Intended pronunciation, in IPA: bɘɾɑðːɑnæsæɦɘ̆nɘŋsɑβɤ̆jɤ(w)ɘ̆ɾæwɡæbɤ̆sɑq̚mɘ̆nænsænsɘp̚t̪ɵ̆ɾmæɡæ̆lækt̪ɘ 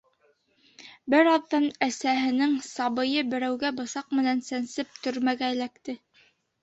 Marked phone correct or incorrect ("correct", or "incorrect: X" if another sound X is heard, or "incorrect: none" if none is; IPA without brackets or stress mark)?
incorrect: b